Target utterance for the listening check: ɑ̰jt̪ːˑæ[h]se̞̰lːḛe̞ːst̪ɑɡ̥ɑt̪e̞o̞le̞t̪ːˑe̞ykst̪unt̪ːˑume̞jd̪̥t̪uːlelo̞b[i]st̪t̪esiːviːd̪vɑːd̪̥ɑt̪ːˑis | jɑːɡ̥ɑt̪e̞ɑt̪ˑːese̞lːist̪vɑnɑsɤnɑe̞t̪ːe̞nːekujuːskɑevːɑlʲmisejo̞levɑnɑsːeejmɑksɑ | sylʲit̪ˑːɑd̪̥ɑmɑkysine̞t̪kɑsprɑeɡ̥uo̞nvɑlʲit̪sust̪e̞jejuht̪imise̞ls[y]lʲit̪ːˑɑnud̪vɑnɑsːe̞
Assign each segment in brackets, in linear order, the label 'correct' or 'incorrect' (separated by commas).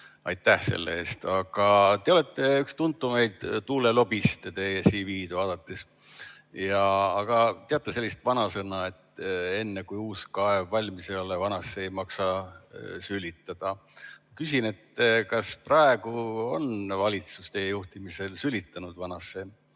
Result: correct, correct, correct